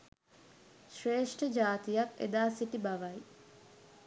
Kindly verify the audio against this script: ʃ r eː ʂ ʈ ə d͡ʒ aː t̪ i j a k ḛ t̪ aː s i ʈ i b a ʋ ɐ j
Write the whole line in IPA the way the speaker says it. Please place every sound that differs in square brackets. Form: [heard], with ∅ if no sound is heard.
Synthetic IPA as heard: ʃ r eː ʂ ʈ ə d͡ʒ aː t̪ i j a k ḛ [d̪] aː s i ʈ i b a ʋ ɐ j